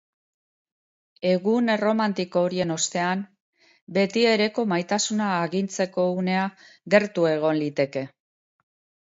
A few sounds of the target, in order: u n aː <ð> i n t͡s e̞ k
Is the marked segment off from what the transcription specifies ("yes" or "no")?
yes